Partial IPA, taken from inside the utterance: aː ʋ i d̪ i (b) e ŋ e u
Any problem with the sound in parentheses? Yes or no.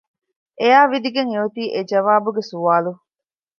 yes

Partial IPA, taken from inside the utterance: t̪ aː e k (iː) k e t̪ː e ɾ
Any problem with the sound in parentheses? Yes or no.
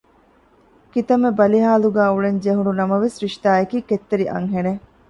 no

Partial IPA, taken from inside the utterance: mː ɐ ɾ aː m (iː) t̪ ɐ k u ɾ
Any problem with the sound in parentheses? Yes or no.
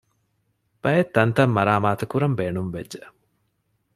yes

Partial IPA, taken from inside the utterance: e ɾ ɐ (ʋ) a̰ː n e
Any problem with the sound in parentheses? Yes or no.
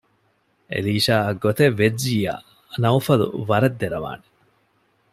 no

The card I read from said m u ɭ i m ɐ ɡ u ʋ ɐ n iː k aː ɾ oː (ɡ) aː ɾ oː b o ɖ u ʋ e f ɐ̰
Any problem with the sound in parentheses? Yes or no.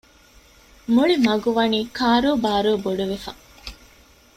yes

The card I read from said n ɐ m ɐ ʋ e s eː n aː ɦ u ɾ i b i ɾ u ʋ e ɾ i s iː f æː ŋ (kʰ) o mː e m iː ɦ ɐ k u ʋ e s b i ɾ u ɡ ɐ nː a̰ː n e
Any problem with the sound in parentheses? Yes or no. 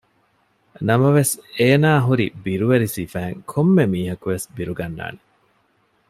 no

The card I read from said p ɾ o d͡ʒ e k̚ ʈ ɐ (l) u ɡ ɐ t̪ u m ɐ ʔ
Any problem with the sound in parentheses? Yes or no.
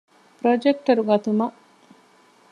yes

